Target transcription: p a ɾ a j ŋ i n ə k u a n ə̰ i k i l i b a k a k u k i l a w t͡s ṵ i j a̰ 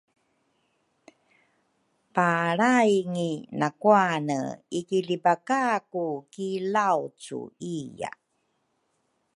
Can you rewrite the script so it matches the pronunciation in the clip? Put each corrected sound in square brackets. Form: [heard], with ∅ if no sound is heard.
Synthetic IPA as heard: p a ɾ a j ŋ i n [a] k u a n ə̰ i k i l i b a k a k u k i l a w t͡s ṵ i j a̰